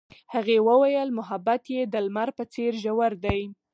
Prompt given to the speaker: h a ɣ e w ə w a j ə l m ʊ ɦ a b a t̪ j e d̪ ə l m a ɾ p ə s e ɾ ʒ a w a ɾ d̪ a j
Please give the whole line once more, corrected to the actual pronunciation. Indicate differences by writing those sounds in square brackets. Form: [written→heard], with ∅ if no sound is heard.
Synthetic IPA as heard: h a ɣ e w ə w a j ə l m ʊ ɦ a b a t̪ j e d̪ ə l m a ɾ p ə [s→t͡s] e ɾ ʒ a w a ɾ d̪ a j